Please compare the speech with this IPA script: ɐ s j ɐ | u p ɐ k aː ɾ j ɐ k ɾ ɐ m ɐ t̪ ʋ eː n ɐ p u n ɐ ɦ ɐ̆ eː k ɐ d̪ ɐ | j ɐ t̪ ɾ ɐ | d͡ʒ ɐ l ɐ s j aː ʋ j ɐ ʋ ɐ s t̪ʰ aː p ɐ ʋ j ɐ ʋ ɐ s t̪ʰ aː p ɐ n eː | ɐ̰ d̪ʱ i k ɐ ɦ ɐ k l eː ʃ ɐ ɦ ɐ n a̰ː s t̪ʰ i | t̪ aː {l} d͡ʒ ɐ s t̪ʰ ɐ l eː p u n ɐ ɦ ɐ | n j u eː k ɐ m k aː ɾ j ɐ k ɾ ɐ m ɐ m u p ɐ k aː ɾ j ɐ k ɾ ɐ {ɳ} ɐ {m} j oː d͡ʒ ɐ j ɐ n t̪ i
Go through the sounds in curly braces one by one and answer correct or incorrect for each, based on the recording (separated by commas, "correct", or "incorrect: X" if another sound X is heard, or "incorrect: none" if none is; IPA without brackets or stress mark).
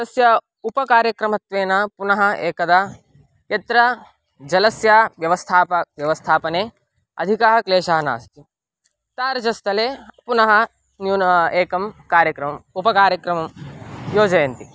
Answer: incorrect: ɾ, incorrect: m, correct